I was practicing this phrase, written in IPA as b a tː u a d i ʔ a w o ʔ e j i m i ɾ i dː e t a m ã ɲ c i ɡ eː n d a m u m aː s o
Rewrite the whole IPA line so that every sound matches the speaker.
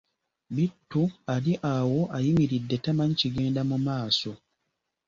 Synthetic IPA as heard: b i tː u a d i ʔ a w o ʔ a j i m i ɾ i dː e t a m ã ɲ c i ɡ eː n d a m u m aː s o